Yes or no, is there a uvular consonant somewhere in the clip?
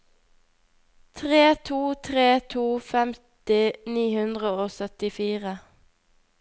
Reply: yes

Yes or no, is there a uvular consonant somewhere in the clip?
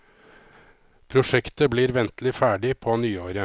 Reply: no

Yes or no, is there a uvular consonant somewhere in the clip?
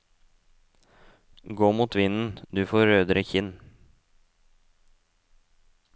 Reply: no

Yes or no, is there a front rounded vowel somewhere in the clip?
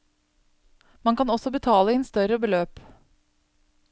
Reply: yes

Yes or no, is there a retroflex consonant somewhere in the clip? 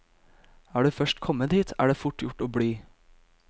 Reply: yes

